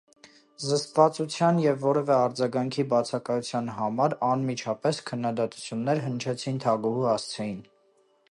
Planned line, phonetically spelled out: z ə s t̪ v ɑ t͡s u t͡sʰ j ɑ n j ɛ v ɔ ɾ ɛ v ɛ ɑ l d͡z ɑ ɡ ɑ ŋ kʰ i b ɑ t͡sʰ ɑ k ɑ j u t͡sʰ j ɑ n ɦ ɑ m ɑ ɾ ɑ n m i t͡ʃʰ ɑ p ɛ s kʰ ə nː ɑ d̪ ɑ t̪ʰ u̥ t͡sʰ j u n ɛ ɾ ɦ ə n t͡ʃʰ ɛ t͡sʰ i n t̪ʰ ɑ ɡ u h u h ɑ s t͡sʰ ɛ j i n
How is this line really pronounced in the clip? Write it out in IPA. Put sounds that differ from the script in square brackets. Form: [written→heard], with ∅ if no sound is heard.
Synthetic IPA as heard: z ə s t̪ v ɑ t͡s u t͡sʰ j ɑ n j ɛ [v→vː] ɔ ɾ ɛ v ɛ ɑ [l→ɾ] d͡z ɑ ɡ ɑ ŋ kʰ i b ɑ t͡sʰ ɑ k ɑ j u t͡sʰ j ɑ n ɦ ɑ m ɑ ɾ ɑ n m i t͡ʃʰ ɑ p ɛ s kʰ ə nː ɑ d̪ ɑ [t̪ʰ→t̪] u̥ t͡sʰ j u [n→nː] ɛ ɾ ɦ ə n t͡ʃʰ ɛ t͡sʰ i n t̪ʰ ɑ ɡ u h u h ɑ s t͡sʰ ɛ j i n